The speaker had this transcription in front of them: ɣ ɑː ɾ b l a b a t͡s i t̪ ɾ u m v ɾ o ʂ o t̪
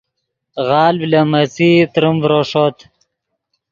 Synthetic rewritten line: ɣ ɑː l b l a m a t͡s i t̪ ɾ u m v ɾ o ʂ o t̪